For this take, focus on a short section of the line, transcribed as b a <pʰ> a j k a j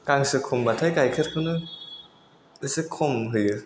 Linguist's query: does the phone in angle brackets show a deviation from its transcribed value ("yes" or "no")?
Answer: yes